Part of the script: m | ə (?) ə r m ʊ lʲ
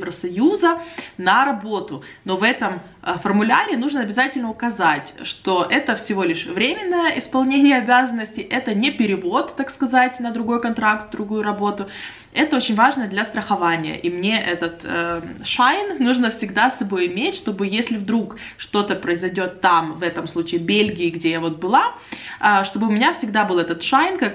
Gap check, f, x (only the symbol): f